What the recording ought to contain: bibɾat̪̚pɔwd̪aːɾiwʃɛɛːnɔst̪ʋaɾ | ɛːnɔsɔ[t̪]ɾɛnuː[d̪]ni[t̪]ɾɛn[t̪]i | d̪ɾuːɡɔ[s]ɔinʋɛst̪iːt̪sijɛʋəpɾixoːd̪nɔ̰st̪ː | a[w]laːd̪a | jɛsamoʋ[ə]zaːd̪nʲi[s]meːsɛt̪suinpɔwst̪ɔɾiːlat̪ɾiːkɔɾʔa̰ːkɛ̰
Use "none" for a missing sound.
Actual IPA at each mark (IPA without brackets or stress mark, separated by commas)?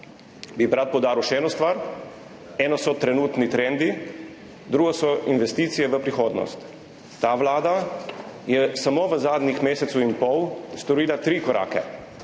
t̪, t̪, t̪, d̪, s, ʋ, ə, x